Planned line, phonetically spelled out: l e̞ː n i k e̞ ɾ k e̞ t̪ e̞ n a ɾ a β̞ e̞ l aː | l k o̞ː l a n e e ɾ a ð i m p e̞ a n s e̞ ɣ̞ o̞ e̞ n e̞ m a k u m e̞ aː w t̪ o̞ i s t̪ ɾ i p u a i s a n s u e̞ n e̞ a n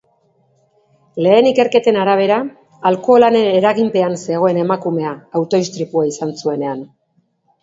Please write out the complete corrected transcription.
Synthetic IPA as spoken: l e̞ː n i k e̞ ɾ k e̞ t̪ e̞ n a ɾ a β̞ e̞ ɾ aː | l k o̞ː l a n e e ɾ a ɣ i m p e̞ a n s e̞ ɣ̞ o̞ e̞ n e̞ m a k u m e̞ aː w t̪ o̞ i s t̪ ɾ i p u a i s a n s u e̞ n e̞ a n

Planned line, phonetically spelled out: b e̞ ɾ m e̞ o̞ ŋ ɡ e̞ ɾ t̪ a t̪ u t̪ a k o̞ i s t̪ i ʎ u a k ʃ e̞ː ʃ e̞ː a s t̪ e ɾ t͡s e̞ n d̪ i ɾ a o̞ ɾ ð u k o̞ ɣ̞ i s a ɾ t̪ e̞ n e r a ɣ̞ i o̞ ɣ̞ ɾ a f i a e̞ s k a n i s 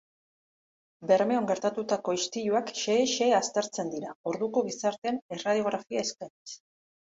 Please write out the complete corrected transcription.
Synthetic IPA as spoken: b e̞ ɾ m e̞ o̞ ŋ ɡ e̞ ɾ t̪ a t̪ u t̪ a k o̞ i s t̪ i ʎ u a k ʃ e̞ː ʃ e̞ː a s t̪ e ɾ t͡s e̞ n d̪ i ɾ a o̞ ɾ ð u k o̞ ɣ̞ i s a ɾ t̪ e̞ n e r a ð̞ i o̞ ɣ̞ ɾ a f i a e̞ s k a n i s

